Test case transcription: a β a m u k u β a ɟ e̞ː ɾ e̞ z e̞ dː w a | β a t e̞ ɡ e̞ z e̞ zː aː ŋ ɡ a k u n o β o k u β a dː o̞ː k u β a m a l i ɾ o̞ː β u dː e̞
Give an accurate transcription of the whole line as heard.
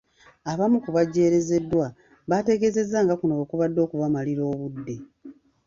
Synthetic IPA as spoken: a β a m u k u β a ɟ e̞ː ɾ e̞ z e̞ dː w a | β a t e̞ ɡ e̞ z e̞ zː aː ŋ ɡ a k u n o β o k u β a dː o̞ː k u β a m a l i ɾ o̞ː β u dː e̞